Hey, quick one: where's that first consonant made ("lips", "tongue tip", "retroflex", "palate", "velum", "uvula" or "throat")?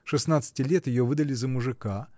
retroflex